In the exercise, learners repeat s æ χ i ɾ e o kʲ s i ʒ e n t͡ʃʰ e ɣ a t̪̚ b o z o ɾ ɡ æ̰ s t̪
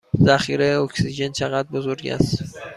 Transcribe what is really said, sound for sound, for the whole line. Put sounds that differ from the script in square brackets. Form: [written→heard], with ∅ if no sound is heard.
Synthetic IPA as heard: [s→z] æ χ i ɾ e o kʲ s i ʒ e n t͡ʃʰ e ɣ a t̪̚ b o z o ɾ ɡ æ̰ s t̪